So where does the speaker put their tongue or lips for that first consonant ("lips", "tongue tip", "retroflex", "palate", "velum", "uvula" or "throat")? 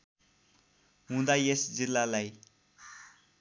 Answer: throat